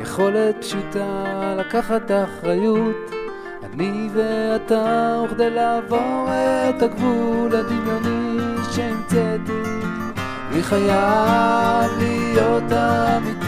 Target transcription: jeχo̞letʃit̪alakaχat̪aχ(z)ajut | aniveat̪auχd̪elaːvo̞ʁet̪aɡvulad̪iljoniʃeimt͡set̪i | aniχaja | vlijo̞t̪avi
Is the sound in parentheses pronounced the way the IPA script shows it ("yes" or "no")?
no